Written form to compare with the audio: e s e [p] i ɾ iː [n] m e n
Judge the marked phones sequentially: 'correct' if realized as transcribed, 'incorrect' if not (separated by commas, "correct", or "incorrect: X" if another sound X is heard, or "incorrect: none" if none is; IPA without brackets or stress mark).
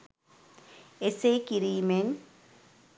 incorrect: k, incorrect: none